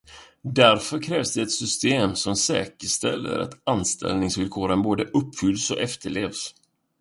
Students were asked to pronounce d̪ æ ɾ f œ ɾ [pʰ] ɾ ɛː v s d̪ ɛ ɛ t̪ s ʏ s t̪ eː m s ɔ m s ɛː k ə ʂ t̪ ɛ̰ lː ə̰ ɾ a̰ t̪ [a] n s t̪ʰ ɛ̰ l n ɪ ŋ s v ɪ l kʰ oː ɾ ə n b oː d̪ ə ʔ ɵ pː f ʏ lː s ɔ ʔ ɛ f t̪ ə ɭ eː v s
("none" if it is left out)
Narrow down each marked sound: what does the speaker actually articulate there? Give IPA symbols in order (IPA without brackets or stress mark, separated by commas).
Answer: kʰ, a